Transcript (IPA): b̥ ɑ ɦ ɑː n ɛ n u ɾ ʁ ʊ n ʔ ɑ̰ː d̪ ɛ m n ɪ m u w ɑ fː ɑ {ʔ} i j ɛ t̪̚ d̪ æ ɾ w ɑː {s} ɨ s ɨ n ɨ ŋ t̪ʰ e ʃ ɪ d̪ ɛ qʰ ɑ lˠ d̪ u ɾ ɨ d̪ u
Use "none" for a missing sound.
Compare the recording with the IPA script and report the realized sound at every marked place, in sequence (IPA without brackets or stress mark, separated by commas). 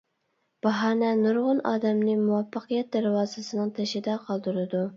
q, z